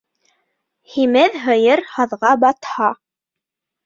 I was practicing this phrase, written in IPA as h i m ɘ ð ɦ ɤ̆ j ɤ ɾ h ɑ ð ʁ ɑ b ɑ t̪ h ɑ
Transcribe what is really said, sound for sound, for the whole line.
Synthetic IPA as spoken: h i m ɘ ð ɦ ɤ̆ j ɤ ɾ h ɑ ð ʁ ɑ b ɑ t̪ h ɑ